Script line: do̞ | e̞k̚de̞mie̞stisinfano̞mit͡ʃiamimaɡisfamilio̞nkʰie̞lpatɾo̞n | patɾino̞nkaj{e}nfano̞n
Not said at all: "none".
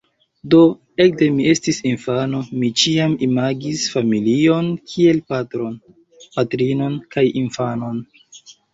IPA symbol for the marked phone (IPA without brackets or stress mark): i